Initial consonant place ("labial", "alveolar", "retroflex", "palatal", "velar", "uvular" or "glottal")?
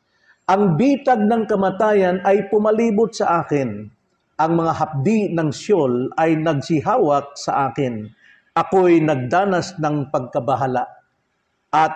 glottal